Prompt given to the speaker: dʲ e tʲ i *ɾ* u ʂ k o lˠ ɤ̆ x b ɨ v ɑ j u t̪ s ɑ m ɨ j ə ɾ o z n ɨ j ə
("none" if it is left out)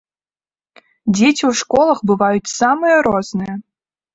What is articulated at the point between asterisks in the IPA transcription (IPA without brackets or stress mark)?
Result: none